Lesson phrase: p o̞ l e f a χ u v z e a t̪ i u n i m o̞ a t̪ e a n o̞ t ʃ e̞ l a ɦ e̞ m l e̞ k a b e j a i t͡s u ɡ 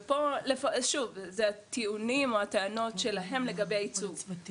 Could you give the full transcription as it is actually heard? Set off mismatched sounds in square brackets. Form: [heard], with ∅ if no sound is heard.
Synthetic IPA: p o̞ l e f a [ʃ] u v z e a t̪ i u n i m o̞ a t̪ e a n o̞ t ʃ e̞ l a ɦ e̞ m l e̞ [ɡ] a b e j a i t͡s u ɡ